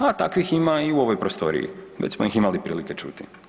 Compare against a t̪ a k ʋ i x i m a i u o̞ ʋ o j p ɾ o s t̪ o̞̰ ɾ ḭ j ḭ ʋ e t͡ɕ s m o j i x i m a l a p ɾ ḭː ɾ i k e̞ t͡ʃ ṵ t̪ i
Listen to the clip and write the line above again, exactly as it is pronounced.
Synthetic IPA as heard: a t̪ a k ʋ i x i m a i u o̞ ʋ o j p ɾ o s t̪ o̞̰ ɾ ḭ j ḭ ʋ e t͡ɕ s m o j i x i m a l i p ɾ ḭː l i k e̞ t͡ʃ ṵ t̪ i